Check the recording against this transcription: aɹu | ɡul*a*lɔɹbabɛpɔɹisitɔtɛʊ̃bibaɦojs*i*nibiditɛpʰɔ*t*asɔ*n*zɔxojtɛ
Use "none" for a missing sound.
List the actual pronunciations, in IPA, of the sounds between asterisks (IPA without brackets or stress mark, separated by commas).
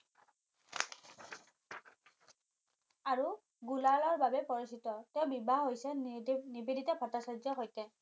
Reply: a, ɛ, t, none